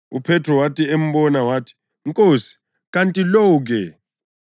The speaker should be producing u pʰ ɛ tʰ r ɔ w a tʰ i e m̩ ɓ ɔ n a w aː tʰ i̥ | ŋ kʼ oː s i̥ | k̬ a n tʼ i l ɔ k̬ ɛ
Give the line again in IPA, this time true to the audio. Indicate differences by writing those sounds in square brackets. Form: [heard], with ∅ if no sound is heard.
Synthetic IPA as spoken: u pʰ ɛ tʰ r ɔ w a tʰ i e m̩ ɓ ɔ n a w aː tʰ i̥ | ŋ kʼ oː s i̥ | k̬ a n tʼ i l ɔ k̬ ɛ